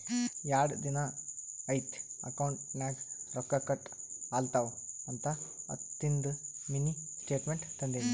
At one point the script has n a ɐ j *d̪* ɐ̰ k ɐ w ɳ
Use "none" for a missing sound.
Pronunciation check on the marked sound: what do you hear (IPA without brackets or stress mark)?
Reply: t̪